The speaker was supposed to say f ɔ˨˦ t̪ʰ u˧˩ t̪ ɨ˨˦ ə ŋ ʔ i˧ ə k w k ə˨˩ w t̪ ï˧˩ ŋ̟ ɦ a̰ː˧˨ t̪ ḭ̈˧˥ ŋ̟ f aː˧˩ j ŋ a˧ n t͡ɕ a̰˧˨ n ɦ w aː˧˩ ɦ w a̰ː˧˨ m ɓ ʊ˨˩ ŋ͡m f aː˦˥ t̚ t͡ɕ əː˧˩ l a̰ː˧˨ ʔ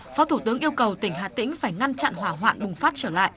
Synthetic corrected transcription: f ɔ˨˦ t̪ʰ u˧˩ t̪ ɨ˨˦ ə ŋ ʔ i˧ ə w k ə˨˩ w t̪ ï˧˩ ŋ̟ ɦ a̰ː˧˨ t̪ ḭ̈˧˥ ŋ̟ f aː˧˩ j ŋ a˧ n t͡ɕ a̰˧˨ n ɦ w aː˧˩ ɦ w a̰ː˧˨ n ɓ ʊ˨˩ ŋ͡m f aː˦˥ t̚ t͡ɕ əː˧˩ l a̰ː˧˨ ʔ